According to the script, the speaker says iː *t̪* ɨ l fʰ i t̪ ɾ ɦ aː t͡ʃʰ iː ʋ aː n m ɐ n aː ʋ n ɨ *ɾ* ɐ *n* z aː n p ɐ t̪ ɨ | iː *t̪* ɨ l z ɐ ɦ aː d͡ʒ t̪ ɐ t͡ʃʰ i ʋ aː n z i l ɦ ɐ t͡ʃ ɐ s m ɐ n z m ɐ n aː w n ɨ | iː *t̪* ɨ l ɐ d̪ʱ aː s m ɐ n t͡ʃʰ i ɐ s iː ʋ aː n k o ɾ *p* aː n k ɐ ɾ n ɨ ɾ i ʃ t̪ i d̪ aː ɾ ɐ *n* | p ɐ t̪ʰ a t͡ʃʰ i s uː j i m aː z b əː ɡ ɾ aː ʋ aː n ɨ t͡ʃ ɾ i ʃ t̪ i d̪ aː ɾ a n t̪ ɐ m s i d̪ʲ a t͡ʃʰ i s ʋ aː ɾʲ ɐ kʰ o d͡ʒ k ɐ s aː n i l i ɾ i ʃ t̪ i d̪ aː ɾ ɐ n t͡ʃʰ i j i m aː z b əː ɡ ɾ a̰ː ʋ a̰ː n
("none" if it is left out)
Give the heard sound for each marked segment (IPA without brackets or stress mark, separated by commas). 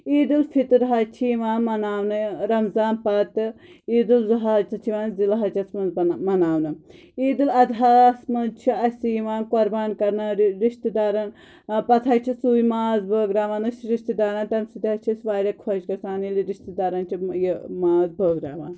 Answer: d̪, ɾ, m, d̪, d̪, b, n